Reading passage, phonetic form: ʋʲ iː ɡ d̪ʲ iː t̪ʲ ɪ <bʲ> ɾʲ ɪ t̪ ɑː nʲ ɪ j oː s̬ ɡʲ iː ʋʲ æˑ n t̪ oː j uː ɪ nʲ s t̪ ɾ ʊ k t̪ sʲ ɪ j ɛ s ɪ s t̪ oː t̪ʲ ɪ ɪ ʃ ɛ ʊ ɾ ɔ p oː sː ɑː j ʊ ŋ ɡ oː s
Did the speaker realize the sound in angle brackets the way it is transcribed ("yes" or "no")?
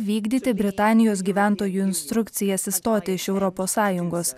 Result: yes